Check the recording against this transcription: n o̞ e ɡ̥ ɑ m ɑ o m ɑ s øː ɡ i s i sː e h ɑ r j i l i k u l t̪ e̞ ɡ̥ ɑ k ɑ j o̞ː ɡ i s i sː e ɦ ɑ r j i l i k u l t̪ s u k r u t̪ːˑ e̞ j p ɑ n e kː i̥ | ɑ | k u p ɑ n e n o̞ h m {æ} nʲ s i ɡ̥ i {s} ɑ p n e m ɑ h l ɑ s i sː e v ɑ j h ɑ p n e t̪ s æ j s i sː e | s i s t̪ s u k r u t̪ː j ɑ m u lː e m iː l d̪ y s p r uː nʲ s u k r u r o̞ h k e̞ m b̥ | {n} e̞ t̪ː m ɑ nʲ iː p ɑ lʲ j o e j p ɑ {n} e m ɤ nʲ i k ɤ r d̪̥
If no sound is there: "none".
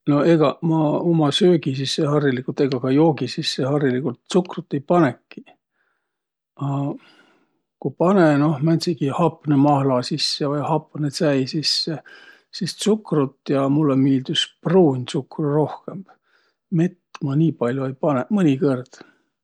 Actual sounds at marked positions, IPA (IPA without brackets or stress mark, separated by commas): æ, h, m, n